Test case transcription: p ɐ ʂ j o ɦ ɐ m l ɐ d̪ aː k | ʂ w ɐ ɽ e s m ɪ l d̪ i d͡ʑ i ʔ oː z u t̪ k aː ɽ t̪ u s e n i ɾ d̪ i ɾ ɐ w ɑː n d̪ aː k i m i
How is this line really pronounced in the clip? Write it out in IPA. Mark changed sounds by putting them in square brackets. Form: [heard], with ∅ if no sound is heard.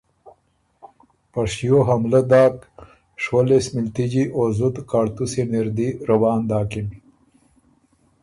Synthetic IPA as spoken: p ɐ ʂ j o ɦ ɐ m l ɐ d̪ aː k | ʂ w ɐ [l] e s m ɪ l [t̪] i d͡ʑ i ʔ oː z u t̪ k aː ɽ t̪ u s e n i ɾ d̪ i ɾ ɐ w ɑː n d̪ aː k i m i